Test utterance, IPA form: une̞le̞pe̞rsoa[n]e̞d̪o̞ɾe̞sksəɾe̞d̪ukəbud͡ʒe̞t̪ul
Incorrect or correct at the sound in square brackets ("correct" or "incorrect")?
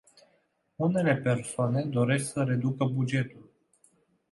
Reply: correct